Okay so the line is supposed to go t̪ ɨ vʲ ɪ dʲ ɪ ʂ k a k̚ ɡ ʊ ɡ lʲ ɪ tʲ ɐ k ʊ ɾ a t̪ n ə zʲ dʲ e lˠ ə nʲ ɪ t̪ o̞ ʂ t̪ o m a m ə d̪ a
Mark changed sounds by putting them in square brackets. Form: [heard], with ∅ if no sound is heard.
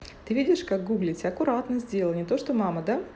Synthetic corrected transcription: t̪ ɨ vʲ [i] dʲ ɪ ʂ k a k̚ ɡ [u] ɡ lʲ ɪ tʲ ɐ k ʊ ɾ a t̪ n ə zʲ dʲ e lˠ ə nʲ ɪ t̪ o̞ ʂ t̪ o m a m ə d̪ a